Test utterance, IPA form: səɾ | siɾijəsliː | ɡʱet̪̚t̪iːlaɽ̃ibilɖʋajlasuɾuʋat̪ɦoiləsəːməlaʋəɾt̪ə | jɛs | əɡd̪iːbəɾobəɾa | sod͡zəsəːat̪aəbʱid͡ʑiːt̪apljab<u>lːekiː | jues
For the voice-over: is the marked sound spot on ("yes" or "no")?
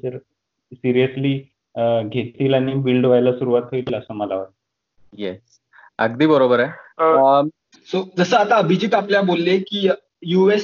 no